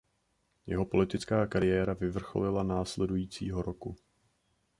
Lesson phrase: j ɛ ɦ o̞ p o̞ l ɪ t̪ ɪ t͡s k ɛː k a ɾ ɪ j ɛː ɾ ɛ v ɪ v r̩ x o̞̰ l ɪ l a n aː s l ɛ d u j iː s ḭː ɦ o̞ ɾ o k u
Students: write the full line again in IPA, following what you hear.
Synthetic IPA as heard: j ɛ ɦ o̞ p o̞ l ɪ t̪ ɪ t͡s k aː k a ɾ ɪ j ɛː ɾ a v ɪ v r̩ x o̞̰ l ɪ l a n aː s l ɛ d u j iː t͡s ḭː ɦ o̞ ɾ o k u